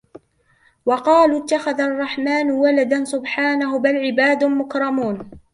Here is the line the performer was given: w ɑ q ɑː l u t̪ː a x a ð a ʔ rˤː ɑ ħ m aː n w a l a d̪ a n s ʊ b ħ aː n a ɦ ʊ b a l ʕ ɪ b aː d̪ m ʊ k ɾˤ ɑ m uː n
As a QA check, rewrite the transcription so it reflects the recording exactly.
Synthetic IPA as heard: w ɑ q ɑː l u t̪ː a x a ð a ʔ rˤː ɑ ħ m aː n w a l a d̪ a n s ʊ b ħ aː n a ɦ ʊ b a l ʕ ɪ b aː d̪ m ʊ k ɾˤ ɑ m uː n